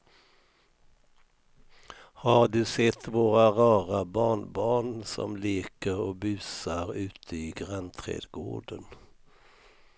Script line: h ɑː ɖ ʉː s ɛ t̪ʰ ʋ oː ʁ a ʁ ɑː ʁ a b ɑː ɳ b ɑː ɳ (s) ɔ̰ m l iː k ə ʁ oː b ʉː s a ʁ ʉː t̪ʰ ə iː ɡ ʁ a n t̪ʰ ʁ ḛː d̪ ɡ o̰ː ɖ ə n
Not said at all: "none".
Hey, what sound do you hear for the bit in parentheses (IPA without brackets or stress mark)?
s